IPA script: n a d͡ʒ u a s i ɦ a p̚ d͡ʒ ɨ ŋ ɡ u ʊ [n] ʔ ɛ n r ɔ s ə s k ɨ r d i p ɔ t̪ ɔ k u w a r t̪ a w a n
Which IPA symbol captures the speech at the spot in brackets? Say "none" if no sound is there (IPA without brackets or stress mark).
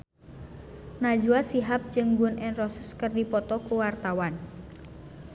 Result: n